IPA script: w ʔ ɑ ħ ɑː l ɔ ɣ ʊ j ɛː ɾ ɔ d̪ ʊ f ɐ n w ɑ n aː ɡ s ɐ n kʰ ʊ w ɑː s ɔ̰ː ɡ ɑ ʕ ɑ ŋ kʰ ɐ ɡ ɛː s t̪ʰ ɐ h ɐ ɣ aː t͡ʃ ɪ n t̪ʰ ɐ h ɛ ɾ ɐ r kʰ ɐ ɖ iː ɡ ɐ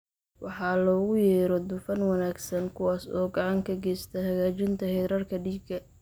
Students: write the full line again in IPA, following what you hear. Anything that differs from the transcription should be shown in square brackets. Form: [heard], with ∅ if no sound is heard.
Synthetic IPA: w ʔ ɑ ħ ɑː l [ɔː] ɣ ʊ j ɛː ɾ ɔ d̪ ʊ f ɐ n w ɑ n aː ɡ s ɐ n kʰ ʊ w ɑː s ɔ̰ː ɡ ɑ ʕ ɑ ŋ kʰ ɐ ɡ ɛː s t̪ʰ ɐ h ɐ ɣ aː t͡ʃ ɪ n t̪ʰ ɐ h ɛ ɾ ɐ r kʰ ɐ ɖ iː ɡ ɐ